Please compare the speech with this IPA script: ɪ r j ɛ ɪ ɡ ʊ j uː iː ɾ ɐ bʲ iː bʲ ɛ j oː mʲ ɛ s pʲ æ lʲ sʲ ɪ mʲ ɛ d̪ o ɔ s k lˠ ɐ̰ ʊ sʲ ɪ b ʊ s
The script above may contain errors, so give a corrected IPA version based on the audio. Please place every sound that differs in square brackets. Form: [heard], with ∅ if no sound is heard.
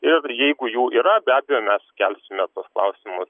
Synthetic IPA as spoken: ɪ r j ɛ ɪ ɡ ʊ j uː iː ɾ ɐ bʲ [æː] bʲ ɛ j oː mʲ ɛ s [kʲ] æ lʲ sʲ ɪ mʲ ɛ [t̪] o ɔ s k lˠ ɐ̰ ʊ sʲ ɪ [m] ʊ s